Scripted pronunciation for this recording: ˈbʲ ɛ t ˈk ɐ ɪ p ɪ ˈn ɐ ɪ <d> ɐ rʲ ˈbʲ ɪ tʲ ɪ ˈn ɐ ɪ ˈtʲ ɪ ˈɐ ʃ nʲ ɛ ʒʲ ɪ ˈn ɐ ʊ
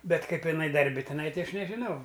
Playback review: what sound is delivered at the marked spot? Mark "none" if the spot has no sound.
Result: d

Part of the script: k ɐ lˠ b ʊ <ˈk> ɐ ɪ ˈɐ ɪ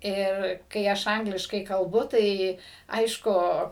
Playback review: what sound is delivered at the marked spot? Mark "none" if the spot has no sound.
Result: t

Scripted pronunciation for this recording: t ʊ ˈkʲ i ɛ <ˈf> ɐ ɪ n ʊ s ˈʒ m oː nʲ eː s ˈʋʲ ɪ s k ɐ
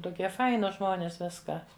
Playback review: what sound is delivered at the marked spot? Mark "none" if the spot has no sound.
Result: f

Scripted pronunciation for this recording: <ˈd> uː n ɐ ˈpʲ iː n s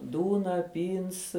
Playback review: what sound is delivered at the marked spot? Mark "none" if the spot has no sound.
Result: d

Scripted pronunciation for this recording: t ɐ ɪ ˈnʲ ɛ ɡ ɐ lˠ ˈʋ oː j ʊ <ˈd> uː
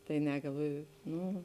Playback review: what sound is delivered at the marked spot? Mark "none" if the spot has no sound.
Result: n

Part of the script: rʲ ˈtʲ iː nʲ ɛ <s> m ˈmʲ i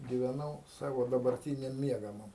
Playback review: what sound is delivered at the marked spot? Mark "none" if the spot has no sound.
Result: none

